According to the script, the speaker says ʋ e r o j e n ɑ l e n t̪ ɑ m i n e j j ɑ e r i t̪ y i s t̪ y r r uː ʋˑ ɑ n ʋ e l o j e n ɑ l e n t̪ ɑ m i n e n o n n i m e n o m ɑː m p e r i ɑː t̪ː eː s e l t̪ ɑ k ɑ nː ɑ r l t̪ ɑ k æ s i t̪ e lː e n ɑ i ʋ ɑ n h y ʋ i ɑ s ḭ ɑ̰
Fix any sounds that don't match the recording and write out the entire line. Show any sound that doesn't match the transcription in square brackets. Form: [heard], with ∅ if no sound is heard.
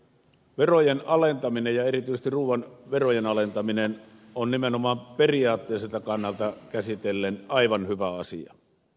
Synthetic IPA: ʋ e r o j e n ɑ l e n t̪ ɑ m i n e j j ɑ e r i t̪ y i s t̪ [i] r r uː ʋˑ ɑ n ʋ e [r] o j e n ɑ l e n t̪ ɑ m i n e n o n n i m e n o m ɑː m p e r i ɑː t̪ː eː s e l t̪ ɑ k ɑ nː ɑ [∅] l t̪ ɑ k æ s i t̪ e lː e n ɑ i ʋ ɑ n h y ʋ [æ] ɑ s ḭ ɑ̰